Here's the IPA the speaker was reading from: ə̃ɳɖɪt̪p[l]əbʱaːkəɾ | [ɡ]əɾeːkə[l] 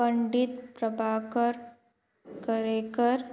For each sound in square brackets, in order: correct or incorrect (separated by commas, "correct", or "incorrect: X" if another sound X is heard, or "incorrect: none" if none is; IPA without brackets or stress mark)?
incorrect: ɾ, incorrect: k, incorrect: ɾ